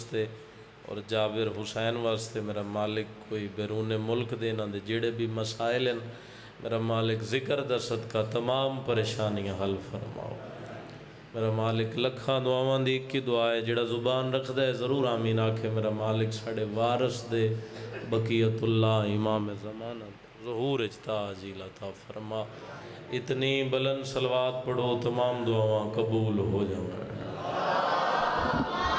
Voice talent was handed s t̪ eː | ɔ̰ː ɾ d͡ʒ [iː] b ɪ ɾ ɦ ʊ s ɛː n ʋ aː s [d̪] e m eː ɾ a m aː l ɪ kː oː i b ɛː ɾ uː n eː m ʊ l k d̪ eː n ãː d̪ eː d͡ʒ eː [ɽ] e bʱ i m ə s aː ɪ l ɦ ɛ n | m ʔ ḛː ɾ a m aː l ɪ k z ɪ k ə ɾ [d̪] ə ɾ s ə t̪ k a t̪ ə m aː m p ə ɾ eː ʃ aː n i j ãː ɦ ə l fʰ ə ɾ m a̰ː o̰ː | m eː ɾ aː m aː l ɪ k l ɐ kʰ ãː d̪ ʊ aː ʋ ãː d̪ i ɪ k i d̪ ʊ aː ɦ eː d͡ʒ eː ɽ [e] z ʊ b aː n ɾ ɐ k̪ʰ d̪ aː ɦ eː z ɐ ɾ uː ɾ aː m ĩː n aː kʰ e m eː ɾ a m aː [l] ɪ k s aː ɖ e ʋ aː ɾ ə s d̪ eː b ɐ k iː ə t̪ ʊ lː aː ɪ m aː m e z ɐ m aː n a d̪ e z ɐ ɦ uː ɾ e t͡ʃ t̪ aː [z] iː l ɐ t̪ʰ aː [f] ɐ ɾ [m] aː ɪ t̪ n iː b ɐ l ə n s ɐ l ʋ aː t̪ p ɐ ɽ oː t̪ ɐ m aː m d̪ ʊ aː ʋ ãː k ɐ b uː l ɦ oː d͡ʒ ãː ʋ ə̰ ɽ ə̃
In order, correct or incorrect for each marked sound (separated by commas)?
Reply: incorrect, incorrect, correct, correct, incorrect, correct, correct, correct, correct